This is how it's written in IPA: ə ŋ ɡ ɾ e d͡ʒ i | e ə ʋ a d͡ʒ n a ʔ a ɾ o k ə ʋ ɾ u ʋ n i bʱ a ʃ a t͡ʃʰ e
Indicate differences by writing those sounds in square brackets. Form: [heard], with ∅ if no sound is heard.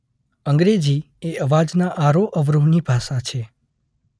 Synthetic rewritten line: ə ŋ ɡ ɾ e d͡ʒ i | e ə ʋ a d͡ʒ n a ʔ a ɾ o [ʔ] ə ʋ ɾ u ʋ n i bʱ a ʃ a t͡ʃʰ e